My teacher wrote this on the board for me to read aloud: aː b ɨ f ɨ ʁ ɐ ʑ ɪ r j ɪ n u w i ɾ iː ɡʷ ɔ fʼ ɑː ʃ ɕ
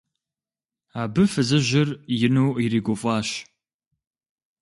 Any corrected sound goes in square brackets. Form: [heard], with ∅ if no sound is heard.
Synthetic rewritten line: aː b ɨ f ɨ [z] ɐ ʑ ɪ r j ɪ n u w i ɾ iː ɡʷ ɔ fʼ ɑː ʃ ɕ